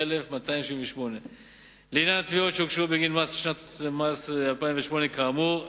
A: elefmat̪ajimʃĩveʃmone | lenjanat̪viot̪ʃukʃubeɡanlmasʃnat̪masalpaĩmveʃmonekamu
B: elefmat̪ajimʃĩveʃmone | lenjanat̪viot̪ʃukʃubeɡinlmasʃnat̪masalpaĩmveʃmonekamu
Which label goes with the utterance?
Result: B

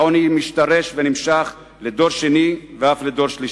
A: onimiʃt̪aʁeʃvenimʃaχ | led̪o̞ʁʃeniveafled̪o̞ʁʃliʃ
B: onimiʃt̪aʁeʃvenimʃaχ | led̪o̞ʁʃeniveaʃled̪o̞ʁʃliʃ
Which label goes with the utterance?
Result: A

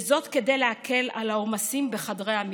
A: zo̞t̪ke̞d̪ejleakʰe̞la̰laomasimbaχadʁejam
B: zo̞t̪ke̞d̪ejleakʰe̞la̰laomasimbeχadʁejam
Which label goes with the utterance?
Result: B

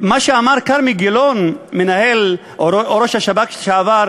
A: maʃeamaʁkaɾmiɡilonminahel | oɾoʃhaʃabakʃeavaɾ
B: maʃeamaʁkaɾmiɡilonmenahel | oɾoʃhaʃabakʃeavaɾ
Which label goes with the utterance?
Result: B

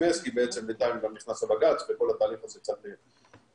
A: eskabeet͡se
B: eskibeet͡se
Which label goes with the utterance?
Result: B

